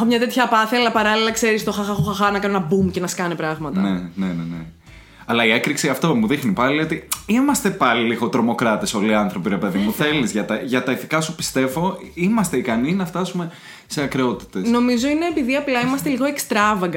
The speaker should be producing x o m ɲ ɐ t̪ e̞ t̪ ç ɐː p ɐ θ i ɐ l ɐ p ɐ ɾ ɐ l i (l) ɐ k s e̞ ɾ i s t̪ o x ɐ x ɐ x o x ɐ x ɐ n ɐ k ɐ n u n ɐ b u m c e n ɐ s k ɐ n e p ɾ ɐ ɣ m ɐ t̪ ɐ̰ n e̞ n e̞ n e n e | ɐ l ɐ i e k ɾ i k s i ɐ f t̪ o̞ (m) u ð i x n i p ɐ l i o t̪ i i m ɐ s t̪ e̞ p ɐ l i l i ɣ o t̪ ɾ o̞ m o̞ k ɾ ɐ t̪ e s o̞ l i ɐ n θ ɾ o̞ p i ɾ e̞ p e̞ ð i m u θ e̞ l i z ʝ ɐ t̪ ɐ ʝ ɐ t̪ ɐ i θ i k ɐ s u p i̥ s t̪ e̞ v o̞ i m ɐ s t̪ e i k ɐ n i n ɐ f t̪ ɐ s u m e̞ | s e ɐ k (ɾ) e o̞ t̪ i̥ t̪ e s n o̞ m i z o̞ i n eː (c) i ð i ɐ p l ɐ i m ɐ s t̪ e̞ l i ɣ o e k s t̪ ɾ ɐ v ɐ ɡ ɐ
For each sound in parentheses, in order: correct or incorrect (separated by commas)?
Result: correct, correct, correct, incorrect